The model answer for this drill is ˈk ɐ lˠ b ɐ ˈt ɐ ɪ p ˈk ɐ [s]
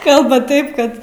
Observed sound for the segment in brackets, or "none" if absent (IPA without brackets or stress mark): t